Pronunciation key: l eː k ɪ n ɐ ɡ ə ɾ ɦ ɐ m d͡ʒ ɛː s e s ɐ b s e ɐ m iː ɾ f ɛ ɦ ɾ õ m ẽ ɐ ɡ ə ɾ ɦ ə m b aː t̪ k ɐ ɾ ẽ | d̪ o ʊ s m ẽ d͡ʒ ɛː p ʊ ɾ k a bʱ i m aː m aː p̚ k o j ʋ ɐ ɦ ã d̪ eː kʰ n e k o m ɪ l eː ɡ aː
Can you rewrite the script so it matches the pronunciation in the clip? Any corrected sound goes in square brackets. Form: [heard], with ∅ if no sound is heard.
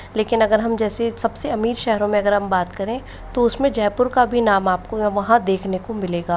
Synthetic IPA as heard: l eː k ɪ n ɐ ɡ ə ɾ ɦ ɐ m d͡ʒ ɛː s e s ɐ b s e ɐ m iː ɾ [ʃ] ɛ ɦ ɾ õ m ẽ ɐ ɡ ə ɾ ɦ [ɐ] m b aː t̪ k ɐ ɾ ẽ | [t̪] o ʊ s m ẽ d͡ʒ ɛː p ʊ ɾ k a bʱ i [n] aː m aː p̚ k o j ʋ ɐ ɦ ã d̪ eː kʰ n e k o m ɪ l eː ɡ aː